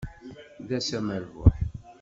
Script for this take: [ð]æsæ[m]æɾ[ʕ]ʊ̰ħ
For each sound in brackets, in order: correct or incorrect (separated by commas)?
correct, correct, incorrect